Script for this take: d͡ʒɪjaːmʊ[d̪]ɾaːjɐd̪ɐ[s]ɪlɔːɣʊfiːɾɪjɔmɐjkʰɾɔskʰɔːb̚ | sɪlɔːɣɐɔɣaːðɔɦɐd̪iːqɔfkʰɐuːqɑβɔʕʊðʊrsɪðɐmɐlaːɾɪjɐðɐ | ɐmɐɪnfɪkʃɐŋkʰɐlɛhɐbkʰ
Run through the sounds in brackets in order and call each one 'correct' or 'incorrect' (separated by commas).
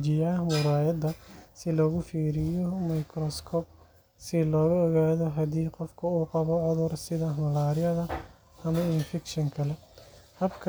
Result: incorrect, correct